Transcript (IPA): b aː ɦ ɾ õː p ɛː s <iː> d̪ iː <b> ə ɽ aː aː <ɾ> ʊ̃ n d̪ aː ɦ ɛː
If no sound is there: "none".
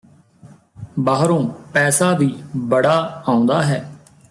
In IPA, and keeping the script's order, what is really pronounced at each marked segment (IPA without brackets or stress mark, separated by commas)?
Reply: aː, b, none